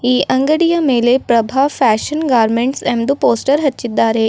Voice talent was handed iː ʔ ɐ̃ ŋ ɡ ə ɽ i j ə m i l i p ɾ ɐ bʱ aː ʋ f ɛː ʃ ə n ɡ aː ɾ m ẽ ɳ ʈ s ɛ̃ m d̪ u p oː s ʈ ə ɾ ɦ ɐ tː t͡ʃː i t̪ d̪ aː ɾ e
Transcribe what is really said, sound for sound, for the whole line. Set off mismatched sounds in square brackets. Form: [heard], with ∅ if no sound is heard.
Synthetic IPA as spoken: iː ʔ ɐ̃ ŋ ɡ ə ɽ i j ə m [e] l [e] p ɾ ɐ bʱ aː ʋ f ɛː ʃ ə n ɡ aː ɾ m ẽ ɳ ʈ s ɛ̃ m d̪ u p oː s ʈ ə ɾ ɦ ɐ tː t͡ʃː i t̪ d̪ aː ɾ e